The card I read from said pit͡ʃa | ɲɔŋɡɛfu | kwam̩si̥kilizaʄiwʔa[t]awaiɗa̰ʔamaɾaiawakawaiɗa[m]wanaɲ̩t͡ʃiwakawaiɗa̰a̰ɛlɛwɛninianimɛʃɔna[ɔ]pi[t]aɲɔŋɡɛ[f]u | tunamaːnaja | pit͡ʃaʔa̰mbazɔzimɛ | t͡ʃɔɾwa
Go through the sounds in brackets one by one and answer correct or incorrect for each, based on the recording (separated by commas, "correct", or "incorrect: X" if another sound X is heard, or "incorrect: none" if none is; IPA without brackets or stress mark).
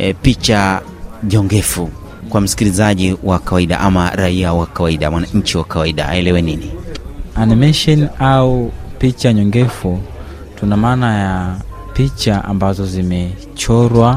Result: incorrect: k, correct, incorrect: u, incorrect: t͡ʃ, correct